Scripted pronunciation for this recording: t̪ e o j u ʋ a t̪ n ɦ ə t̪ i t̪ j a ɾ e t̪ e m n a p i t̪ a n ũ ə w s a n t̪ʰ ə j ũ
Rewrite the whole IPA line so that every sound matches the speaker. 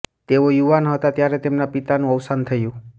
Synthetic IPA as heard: t̪ e o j u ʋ a n ɦ ə t̪ a t̪ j a ɾ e t̪ e m n a p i t̪ a n ũ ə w s a n t̪ʰ ə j ũ

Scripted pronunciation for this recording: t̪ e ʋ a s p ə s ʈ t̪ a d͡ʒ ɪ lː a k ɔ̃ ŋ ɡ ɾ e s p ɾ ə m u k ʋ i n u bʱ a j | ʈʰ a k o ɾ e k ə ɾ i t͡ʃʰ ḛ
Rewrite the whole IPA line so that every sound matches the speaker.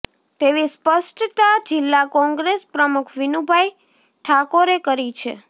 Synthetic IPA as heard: t̪ e ʋ i s p ə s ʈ t̪ a d͡ʒ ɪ lː a k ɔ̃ ŋ ɡ ɾ e s p ɾ ə m u kʰ ʋ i n u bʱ a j | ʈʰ a k o ɾ e k ə ɾ i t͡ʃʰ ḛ

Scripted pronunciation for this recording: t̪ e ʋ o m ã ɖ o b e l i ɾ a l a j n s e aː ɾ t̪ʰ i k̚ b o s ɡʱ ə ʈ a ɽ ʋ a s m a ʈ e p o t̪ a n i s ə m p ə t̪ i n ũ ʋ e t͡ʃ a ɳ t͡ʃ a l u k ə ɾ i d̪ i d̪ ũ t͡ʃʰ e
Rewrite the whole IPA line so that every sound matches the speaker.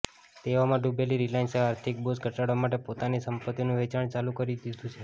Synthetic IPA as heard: t̪ e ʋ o m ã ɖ u b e l i ɾ i l a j n s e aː ɾ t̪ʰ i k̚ b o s ɡʱ ə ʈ a ɽ ʋ a m a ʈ e p o t̪ a n i s ə m p ə t̪ i n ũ ʋ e t͡ʃ a ɳ t͡ʃ a l u k ə ɾ i d̪ i d̪ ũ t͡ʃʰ e

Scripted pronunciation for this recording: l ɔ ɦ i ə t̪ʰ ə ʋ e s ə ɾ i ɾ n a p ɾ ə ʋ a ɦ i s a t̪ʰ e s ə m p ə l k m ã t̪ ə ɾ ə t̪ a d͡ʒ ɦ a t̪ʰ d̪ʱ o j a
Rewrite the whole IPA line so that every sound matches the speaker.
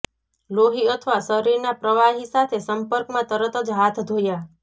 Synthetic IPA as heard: l o ɦ i ə t̪ʰ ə ʋ a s ə ɾ i ɾ n a p ɾ ə ʋ a ɦ i s a t̪ʰ e s ə m p ə ɾ k m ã t̪ ə ɾ ə t̪ ə d͡ʒ ɦ a t̪ʰ d̪ʱ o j a

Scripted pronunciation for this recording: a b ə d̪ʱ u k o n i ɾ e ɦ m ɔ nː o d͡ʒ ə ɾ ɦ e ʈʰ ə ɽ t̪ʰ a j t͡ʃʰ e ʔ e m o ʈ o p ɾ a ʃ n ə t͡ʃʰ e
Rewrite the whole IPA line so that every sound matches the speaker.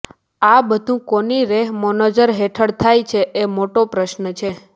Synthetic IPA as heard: a b ə d̪ʱ ũ k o n i ɾ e ɦ m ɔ n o d͡ʒ ə ɾ ɦ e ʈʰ ə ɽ t̪ʰ a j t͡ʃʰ e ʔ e m o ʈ o p ɾ ə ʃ n ə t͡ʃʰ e

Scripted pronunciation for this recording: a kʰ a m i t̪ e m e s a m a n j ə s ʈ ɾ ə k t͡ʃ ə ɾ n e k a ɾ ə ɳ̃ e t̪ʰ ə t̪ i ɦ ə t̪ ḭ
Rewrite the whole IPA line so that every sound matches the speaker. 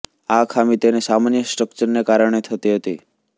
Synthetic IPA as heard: a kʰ a m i t̪ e n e s a m a n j ə s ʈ ɾ ə k t͡ʃ ə ɾ n e k a ɾ ə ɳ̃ e t̪ʰ ə t̪ i ɦ ə t̪ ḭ

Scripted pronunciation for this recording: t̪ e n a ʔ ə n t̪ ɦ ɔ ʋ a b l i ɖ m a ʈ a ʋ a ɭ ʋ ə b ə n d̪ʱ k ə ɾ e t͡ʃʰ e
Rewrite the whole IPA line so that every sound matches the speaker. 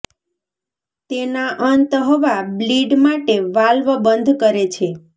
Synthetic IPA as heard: t̪ e n a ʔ ə n t̪ ɦ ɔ ʋ a b l i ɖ m a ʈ e ʋ a l ʋ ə b ə n d̪ʱ k ə ɾ e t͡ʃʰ e

